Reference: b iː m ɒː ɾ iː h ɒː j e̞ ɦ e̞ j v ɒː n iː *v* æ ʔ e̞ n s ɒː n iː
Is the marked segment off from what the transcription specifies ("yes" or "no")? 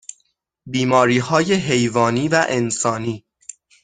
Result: no